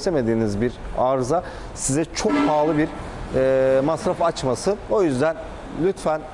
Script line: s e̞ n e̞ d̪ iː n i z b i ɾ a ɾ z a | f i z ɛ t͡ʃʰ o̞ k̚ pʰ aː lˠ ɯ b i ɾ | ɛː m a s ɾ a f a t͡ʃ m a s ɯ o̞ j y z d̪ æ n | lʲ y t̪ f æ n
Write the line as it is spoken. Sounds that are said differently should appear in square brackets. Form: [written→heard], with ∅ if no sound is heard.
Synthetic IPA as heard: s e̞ [n→m] e̞ d̪ iː n i z b i ɾ a ɾ z a | [f→s] i z ɛ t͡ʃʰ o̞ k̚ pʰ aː lˠ ɯ b i ɾ | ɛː m a s ɾ a f a t͡ʃ m a s ɯ o̞ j y z d̪ æ n | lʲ y t̪ f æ n